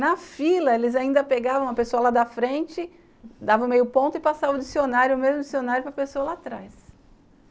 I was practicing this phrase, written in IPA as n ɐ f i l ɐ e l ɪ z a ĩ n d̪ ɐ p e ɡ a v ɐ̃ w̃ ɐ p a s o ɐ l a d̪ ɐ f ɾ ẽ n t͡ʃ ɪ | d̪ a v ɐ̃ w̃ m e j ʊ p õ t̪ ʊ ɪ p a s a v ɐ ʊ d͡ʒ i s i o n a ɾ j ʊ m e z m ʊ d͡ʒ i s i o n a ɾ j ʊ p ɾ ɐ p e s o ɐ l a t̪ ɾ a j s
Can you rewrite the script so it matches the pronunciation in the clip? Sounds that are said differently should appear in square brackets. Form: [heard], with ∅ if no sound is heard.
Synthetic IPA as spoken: n ɐ f i l ɐ e l ɪ z a ĩ n d̪ ɐ p e ɡ a v ɐ̃ w̃ ɐ p [e] s o ɐ l a d̪ ɐ f ɾ ẽ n t͡ʃ ɪ | d̪ a v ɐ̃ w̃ m e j ʊ p õ t̪ ʊ ɪ p a s a v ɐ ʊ d͡ʒ i s i o n a ɾ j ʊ m e z m ʊ d͡ʒ i s i o n a ɾ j ʊ p ɾ ɐ p e s o ɐ l a t̪ ɾ a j s